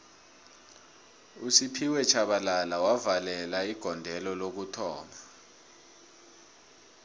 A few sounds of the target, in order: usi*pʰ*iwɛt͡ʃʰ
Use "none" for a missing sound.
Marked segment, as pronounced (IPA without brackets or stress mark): pʰ